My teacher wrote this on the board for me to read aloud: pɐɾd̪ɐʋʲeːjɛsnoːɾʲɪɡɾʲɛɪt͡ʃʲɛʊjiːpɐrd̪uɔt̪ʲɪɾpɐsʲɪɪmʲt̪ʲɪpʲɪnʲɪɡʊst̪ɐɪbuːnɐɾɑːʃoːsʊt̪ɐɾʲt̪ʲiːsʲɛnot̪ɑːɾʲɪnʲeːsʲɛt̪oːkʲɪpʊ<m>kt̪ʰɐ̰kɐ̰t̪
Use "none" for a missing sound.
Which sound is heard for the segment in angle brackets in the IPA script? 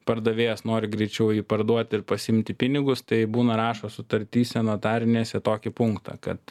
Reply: ŋ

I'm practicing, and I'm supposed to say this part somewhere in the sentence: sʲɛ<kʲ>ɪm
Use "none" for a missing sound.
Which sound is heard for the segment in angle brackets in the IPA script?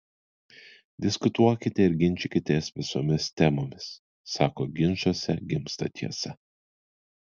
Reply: ɡʲ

